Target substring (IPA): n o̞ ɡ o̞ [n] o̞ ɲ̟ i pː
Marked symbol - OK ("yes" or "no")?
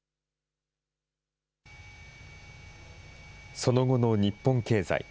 yes